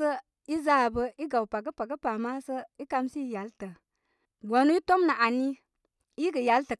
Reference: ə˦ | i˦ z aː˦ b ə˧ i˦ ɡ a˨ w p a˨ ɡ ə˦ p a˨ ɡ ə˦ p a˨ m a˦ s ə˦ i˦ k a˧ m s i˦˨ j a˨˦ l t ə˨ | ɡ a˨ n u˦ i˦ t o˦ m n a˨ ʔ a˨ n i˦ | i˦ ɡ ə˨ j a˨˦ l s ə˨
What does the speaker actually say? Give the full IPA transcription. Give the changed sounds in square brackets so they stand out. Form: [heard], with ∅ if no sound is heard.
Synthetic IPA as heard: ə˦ | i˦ z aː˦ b ə˧ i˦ ɡ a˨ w p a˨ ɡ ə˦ p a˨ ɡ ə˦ p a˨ m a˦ s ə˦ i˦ k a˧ m s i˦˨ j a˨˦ l t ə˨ | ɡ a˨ n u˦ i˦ t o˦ m n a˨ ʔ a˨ n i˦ | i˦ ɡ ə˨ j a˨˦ l [t] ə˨